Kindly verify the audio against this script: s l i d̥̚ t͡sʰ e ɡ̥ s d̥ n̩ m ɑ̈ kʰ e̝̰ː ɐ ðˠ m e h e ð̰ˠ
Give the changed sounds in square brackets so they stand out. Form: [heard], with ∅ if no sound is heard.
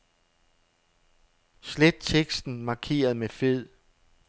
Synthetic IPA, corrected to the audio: s l [e] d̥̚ t͡sʰ e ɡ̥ s d̥ n̩ m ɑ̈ kʰ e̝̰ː ɐ ðˠ m e [f] e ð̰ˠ